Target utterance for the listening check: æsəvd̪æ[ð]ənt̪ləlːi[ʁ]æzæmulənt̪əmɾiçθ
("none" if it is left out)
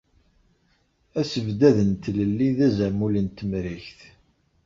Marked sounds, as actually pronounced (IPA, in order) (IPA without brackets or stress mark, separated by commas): ð, ð